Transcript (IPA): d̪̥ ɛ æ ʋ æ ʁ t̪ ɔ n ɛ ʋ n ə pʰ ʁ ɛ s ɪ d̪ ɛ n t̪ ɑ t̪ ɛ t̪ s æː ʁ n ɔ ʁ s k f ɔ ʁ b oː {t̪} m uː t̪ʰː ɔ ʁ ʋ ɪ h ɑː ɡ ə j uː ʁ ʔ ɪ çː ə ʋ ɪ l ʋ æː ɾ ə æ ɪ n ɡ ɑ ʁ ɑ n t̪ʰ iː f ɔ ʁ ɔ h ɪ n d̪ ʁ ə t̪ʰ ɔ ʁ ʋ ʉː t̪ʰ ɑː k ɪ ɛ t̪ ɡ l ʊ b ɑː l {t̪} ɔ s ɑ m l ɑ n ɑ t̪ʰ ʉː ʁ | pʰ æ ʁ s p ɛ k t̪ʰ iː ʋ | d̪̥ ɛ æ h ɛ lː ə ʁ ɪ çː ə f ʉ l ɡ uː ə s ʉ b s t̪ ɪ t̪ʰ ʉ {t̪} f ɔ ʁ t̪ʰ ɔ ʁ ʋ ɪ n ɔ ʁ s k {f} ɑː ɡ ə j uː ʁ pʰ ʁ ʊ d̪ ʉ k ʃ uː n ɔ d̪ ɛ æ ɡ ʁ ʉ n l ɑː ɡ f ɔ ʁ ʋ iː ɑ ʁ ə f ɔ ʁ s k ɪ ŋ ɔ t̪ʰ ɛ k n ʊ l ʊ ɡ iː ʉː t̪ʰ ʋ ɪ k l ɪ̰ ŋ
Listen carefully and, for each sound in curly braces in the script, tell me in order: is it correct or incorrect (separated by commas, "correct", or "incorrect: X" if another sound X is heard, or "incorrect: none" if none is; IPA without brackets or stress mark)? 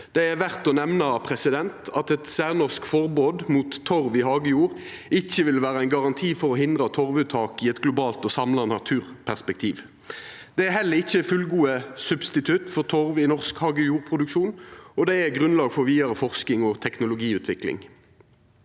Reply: incorrect: d̪, correct, correct, incorrect: h